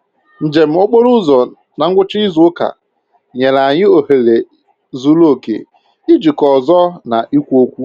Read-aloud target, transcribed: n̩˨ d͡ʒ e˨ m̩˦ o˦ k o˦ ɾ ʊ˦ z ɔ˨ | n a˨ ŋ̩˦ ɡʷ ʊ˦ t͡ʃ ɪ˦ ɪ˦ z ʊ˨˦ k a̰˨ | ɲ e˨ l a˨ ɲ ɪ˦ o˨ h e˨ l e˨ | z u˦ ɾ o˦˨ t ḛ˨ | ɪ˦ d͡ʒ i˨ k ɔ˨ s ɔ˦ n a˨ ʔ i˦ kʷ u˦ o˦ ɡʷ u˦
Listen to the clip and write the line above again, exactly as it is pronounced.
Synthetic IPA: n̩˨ d͡ʒ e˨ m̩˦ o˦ k͡p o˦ ɾ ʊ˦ z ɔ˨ | n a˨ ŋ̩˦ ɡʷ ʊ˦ t͡ʃ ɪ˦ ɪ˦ z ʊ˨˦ k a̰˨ | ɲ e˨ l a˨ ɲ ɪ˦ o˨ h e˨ l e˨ | z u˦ l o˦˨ k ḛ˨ | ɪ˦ d͡ʒ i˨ k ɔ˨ z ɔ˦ n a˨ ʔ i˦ kʷ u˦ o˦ kʷ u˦